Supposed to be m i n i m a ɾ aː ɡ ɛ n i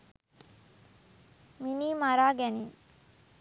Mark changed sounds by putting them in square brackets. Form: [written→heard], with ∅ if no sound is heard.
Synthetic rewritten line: m i n [i→iː] m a ɾ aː ɡ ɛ n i

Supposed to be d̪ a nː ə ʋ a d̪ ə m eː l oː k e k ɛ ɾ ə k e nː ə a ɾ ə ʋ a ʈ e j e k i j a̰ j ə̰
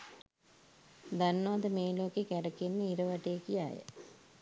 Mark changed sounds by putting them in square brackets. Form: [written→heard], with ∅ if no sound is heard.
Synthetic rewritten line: d̪ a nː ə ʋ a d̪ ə m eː l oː k e k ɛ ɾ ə k e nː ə [a→i] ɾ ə ʋ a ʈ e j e k i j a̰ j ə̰

